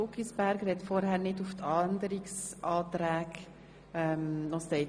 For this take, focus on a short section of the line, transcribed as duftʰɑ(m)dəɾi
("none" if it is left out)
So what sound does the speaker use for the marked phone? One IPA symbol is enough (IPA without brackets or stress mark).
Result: n